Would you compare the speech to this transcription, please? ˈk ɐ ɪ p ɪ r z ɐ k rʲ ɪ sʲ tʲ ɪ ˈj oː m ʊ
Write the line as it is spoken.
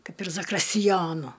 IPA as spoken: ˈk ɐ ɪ p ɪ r z ɐ k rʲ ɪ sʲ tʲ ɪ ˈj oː n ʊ